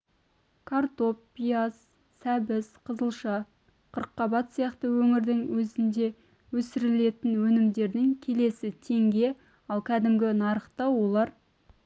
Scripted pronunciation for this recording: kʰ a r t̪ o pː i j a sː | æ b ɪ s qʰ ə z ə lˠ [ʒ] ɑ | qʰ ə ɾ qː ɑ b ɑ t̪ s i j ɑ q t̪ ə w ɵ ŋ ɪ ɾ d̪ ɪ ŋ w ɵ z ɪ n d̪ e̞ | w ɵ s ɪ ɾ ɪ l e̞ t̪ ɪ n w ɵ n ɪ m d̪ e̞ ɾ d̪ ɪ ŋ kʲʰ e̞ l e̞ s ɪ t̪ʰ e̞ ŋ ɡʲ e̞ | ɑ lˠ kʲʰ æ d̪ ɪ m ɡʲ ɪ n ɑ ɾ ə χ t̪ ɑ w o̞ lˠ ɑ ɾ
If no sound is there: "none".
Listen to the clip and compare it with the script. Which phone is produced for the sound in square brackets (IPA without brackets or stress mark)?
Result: ʃ